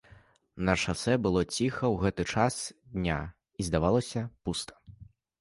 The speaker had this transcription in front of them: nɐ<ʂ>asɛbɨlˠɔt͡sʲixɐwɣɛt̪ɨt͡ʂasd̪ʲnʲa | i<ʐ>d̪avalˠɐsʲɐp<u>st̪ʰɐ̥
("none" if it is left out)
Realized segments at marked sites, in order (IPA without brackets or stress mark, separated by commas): ʂ, z, u